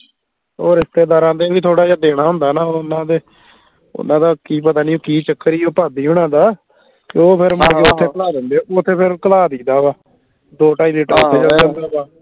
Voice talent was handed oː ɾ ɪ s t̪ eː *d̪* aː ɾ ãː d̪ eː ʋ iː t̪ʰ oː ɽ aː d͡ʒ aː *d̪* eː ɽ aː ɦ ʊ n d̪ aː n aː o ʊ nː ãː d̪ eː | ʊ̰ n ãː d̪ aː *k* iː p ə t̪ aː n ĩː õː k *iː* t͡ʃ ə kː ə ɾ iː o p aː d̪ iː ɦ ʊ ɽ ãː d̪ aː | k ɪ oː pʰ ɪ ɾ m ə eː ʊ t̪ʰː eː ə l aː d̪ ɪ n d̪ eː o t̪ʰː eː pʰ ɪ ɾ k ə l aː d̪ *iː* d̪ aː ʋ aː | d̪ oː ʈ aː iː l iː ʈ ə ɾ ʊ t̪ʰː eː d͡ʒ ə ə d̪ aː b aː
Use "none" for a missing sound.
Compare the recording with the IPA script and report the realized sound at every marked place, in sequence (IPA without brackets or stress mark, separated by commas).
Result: d̪, d̪, k, iː, iː